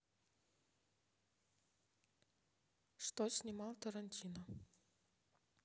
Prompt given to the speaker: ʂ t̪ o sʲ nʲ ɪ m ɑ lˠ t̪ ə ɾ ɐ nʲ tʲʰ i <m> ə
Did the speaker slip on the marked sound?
yes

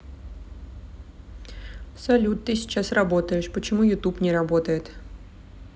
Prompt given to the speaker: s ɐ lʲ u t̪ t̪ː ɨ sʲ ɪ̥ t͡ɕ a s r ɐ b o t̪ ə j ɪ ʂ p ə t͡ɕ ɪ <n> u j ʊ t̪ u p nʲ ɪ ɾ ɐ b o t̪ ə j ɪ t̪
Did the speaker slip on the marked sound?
yes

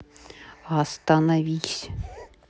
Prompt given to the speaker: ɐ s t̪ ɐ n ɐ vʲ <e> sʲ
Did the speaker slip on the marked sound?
yes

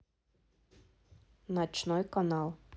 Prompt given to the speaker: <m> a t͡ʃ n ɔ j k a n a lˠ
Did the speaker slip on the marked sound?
yes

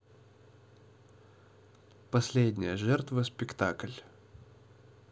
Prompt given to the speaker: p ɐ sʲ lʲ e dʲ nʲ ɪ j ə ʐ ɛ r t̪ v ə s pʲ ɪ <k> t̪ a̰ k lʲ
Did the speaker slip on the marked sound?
no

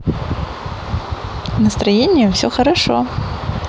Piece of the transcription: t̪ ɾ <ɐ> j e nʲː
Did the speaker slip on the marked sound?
no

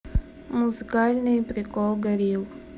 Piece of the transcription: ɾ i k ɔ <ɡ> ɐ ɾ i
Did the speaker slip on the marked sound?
no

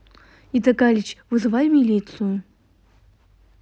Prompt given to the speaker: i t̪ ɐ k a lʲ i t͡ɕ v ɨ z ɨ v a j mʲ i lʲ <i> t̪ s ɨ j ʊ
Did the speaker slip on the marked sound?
no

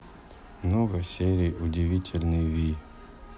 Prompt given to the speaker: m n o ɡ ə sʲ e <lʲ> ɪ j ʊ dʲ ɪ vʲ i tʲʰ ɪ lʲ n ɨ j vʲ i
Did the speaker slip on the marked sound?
yes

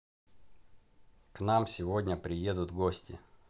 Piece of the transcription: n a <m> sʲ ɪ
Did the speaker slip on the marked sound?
no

